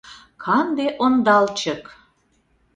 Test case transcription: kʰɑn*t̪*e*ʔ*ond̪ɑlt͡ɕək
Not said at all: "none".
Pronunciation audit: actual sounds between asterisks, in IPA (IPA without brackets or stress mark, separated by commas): d̪, ʔ